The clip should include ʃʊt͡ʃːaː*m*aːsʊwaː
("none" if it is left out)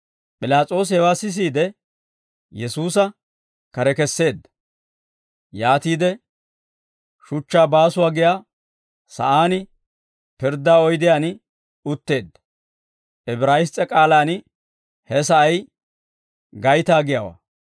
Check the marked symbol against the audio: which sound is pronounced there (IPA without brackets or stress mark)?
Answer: b